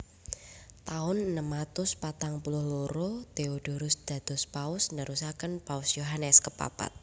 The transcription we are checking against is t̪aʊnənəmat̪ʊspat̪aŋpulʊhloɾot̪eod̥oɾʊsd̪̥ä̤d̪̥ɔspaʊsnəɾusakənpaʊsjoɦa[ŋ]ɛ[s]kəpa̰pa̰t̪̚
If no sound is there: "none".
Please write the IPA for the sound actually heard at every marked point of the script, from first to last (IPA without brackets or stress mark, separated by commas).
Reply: n, s